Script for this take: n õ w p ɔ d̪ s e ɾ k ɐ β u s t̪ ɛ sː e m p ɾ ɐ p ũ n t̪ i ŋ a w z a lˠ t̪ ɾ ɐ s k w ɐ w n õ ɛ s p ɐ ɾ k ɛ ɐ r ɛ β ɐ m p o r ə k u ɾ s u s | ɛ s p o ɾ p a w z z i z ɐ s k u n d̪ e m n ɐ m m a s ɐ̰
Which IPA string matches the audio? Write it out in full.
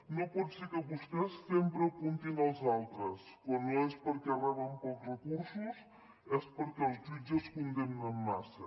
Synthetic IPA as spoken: n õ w p ɔ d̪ s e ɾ k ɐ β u s t̪ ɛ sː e m p ɾ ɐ p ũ n t̪ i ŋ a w z a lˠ t̪ ɾ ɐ s k w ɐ n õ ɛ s p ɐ ɾ k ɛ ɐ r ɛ β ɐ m p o r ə k u ɾ s u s | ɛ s p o ɾ k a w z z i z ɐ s k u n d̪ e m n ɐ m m a s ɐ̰